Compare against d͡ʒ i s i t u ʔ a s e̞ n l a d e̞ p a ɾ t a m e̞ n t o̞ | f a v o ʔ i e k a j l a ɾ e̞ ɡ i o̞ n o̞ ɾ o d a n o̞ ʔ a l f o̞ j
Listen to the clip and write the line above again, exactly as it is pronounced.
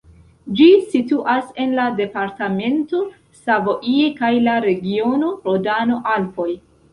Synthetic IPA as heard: d͡ʒ i s i t u ʔ a s e̞ n l a d e̞ p a ɾ t a m e̞ n t o̞ | s a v o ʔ i e k a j l a ɾ e̞ ɡ i o̞ n o̞ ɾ o d a n o̞ ʔ a l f o̞ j

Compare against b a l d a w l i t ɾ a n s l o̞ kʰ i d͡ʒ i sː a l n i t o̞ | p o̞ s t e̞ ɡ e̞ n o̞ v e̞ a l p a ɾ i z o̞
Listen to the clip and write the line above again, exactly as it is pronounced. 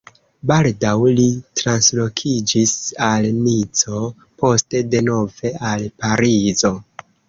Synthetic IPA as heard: b a l d a w l i t ɾ a n s l o̞ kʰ i d͡ʒ i s a l n i t͡s o̞ | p o̞ s t e̞ d e̞ n o̞ v e̞ a l p a ɾ i z o̞

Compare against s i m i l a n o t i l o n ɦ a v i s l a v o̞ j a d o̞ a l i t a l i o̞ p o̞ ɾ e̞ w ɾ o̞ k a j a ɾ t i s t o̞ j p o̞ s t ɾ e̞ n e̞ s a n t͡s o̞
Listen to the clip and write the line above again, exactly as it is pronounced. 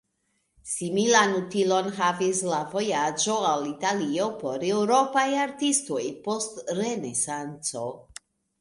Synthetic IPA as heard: s i m i l a n u t i l o n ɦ a v i s l a v o̞ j a d͡ʒ o̞ a l i t a l i o̞ p o̞ ɾ e̞ w ɾ o̞ p a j a ɾ t i s t o̞ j p o̞ s t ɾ e̞ n e̞ s a n t͡s o̞

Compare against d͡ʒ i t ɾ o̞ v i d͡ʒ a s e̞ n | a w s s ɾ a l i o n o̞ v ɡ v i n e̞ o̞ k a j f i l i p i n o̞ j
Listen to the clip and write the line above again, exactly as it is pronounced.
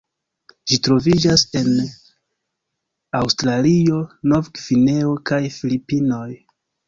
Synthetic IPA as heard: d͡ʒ i t ɾ o̞ v i d͡ʒ a s e̞ n | a w s t ɾ a l i o n o̞ v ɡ v i n e̞ o̞ k a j f i l i p i n o̞ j

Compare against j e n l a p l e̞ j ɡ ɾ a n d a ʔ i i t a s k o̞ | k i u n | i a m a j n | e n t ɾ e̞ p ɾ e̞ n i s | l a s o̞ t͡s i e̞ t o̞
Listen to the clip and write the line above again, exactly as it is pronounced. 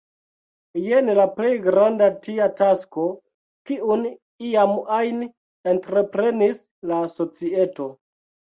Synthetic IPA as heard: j e n l a p l e̞ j ɡ ɾ a n d a t i a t a s k o̞ | k i u n | i a m a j n | e n t ɾ e̞ p ɾ e̞ n i s | l a s o̞ t͡s i e̞ t o̞

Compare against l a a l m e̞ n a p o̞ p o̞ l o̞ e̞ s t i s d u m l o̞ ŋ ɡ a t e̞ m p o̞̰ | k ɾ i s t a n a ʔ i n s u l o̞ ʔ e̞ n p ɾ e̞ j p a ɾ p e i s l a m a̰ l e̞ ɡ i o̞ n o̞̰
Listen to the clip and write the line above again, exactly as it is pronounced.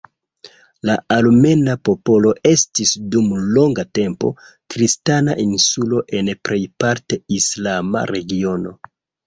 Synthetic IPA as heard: l a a l m e̞ n a p o̞ p o̞ l o̞ e̞ s t i s d u m l o̞ ŋ ɡ a t e̞ m p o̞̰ | k ɾ i s t a n a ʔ i n s u l o̞ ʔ e̞ n p ɾ e̞ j p a ɾ t e i s l a m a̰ ɾ e̞ ɡ i o̞ n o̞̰

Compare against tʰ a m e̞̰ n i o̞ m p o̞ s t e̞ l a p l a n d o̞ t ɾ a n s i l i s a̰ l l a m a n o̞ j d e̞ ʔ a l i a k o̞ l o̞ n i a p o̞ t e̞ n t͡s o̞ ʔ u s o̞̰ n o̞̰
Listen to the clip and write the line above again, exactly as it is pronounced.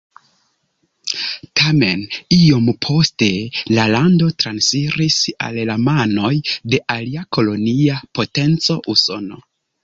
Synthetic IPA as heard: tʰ a m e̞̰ n i o̞ m pʰ o̞ s t e̞ l a l a n d o̞ t ɾ a n s i ɾ i s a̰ l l a m a n o̞ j d e̞ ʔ a l i a k o̞ l o̞ n i a p o̞ t e̞ n t͡s o̞ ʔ u s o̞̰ n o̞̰

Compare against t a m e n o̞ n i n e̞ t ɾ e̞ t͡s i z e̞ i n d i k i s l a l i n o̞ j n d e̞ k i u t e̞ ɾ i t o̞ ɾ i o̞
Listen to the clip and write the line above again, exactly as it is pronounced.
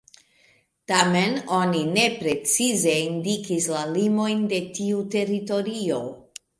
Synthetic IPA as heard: t a m e n o̞ n i n e̞ p ɾ e̞ t͡s i z e̞ i n d i k i s l a l i m o̞ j n d e̞ t i u t e̞ ɾ i t o̞ ɾ i o̞

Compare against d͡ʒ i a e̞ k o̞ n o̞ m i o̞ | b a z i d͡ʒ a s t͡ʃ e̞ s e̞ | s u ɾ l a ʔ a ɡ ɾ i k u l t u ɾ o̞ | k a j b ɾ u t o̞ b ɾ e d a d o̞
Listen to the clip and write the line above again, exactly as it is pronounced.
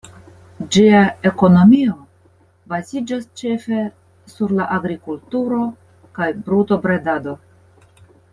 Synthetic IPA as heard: d͡ʒ i a e̞ k o̞ n o̞ m i o̞ | b a z i d͡ʒ a s t͡ʃ e̞ f e̞ | s u ɾ l a ʔ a ɡ ɾ i k u l t u ɾ o̞ | k a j b ɾ u t o̞ b ɾ e d a d o̞

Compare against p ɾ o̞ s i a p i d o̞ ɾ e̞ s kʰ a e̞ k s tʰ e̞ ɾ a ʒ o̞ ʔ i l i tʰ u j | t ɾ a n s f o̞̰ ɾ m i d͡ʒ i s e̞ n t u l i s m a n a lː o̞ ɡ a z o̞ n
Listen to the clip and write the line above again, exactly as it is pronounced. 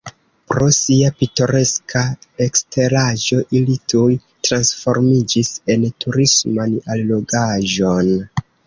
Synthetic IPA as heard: p ɾ o̞ s i a p i t o̞ ɾ e̞ s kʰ a e̞ k s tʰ e̞ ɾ a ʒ o̞ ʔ i l i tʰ u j | t ɾ a n s f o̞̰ ɾ m i d͡ʒ i s e̞ n t u ɾ i s m a n a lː o̞ ɡ a ʒ o̞ n

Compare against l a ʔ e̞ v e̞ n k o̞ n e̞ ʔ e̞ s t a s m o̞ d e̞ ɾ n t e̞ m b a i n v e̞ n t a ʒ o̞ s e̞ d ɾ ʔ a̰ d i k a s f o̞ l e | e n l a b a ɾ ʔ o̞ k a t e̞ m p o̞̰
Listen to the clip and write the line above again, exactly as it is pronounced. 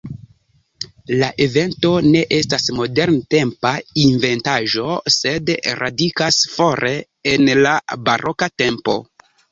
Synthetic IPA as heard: l a ʔ e̞ v e̞ n t o̞ n e̞ ʔ e̞ s t a s m o̞ d e̞ ɾ n t e̞ m p a i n v e̞ n t a ʒ o̞ s e̞ d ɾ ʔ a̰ d i k a s f o̞ ɾ e | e n l a b a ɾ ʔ o̞ k a t e̞ m p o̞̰

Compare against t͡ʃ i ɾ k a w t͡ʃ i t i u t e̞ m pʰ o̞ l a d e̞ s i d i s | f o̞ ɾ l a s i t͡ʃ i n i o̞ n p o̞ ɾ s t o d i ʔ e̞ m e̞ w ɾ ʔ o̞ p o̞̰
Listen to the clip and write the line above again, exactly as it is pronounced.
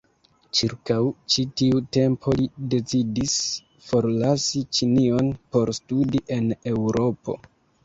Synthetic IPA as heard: t͡ʃ i ɾ k a w t͡ʃ i t i u t e̞ m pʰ o̞ l i d e̞ t͡s i d i s | f o̞ ɾ l a s i t͡ʃ i n i o̞ n p o̞ ɾ s t u d i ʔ e̞ n e̞ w ɾ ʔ o̞ p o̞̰

